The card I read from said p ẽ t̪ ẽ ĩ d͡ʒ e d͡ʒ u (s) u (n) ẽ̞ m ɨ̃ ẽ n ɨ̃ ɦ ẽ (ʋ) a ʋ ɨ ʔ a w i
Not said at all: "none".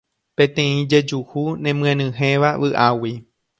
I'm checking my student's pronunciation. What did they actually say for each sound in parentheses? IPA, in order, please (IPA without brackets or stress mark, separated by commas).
h, n, ʋ